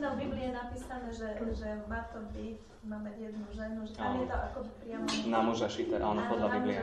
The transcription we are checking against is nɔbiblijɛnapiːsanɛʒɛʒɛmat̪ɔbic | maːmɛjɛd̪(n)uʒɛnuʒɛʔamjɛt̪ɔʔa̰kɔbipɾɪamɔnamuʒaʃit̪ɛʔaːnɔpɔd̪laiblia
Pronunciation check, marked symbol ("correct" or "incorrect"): correct